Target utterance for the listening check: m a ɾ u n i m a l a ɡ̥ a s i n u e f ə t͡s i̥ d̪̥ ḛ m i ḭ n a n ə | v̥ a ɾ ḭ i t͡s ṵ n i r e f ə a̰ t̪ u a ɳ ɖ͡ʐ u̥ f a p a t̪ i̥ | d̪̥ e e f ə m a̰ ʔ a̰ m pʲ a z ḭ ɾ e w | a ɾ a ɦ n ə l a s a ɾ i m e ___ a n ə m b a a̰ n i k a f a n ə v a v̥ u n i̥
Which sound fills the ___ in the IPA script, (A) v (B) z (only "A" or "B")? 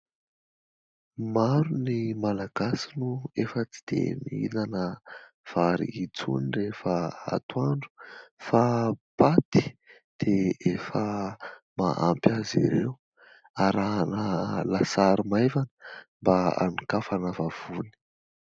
A